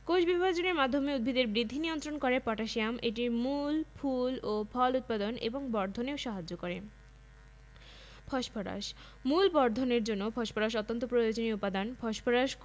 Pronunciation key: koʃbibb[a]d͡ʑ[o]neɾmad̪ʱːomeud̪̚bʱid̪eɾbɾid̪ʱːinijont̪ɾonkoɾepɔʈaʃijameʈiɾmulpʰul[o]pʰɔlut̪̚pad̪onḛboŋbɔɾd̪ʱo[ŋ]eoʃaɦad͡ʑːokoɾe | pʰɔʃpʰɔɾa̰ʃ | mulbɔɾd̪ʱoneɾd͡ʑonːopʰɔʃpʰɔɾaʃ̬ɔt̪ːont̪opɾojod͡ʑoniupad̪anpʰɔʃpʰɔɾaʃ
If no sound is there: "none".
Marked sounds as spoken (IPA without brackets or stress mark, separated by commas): a, o, o, n